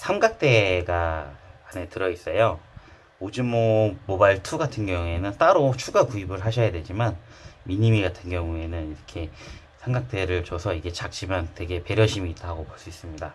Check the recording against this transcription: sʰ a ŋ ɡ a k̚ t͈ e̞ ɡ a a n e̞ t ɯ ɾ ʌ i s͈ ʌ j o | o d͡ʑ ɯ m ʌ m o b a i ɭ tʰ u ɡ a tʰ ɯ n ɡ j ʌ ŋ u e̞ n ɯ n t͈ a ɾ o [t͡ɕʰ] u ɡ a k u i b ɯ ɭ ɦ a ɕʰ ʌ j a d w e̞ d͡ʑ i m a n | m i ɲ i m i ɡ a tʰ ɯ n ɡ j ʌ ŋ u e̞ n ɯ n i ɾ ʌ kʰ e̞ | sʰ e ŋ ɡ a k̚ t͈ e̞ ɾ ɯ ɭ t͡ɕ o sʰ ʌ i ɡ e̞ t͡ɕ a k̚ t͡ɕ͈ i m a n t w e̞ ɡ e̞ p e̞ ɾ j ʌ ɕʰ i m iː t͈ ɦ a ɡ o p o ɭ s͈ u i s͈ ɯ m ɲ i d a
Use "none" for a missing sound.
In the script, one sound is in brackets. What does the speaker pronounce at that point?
t͡ɕʰ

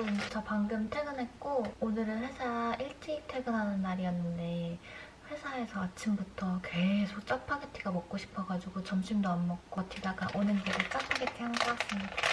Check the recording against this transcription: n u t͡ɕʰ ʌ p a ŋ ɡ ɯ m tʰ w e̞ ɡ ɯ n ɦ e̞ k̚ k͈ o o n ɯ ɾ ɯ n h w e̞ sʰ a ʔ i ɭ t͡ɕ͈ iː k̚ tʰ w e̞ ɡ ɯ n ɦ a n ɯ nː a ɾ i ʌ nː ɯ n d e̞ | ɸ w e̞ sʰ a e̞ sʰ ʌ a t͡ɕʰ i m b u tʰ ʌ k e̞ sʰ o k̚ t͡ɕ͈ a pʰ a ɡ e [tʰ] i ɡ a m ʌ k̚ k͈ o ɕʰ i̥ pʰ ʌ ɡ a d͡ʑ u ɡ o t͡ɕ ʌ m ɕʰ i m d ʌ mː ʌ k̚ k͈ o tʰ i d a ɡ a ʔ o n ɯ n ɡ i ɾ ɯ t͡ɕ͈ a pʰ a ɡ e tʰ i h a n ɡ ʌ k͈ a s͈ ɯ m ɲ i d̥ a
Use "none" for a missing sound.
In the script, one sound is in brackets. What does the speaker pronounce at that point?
tʰ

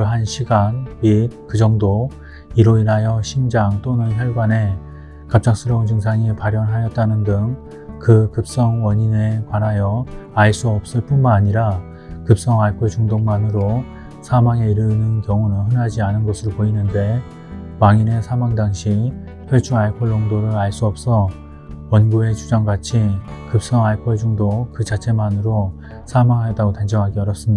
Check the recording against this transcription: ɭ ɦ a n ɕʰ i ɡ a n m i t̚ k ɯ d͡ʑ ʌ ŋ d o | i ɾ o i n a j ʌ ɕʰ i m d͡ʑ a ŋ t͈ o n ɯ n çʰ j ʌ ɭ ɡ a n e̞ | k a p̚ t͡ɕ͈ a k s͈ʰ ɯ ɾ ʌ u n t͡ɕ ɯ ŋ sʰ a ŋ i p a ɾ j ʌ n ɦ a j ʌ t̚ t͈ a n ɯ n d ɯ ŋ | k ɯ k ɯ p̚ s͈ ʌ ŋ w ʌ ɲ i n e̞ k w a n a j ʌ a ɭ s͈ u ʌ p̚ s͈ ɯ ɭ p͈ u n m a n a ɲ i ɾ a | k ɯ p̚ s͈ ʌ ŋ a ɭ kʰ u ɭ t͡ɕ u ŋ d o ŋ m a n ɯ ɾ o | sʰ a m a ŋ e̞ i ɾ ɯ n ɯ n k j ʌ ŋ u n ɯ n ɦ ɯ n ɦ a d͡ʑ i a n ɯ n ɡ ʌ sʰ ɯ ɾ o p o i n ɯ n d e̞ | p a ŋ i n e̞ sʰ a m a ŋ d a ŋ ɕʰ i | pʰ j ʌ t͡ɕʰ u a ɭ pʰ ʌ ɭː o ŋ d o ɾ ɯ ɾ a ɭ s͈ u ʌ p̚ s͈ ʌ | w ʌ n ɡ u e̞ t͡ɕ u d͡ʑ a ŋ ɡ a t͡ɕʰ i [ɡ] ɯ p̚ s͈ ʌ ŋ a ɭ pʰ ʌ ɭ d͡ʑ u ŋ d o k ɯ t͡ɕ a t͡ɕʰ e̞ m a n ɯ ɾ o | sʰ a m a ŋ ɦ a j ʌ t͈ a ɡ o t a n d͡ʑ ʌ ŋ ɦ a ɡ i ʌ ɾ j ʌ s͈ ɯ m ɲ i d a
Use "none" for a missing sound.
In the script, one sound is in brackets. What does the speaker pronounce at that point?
k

